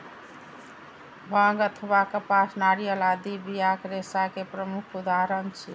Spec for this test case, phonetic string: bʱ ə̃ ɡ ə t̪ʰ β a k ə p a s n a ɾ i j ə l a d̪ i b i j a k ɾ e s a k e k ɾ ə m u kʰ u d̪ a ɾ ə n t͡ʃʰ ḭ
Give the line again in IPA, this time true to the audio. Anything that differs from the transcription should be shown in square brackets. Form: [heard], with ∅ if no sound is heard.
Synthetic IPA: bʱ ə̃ ɡ ə t̪ʰ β a k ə p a s n a ɾ i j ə l a d̪ i b i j a k ɾ e s a k e [p] ɾ ə m u kʰ u d̪ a ɾ ə n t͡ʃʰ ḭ